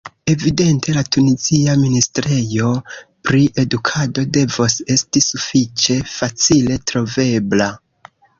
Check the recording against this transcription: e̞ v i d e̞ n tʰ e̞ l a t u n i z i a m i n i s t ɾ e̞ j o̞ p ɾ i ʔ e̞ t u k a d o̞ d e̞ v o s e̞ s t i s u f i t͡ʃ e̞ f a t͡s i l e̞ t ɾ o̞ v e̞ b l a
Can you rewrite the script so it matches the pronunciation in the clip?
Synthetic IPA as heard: e̞ v i d e̞ n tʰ e̞ l a t u n i z i a m i n i s t ɾ e̞ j o̞ p ɾ i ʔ e̞ d u kʰ a d o̞ d e̞ v o s e̞ s t i s u f i t͡ʃ e̞ f a t͡s i l e̞ t ɾ o̞ v e̞ b l a